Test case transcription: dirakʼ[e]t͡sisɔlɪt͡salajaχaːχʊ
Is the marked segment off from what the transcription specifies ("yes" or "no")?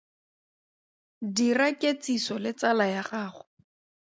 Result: no